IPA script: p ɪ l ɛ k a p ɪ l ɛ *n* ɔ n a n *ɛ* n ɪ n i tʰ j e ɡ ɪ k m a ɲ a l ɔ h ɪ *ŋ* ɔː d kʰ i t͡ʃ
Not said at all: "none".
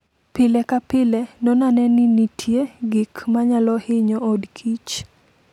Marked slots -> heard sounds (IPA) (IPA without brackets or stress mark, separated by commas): n, ɛ, ɲ